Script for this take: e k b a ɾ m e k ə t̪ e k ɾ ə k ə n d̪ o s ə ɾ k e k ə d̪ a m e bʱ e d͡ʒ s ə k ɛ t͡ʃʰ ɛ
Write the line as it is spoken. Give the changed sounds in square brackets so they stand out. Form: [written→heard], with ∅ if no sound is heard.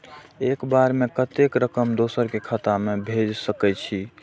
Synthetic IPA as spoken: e k b a ɾ m e k ə t̪ e k ɾ ə k ə [n→m] d̪ o s ə ɾ k e [k→kʰ] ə [d̪→t̪] a m e bʱ e d͡ʒ s ə k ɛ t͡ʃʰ [ɛ→i]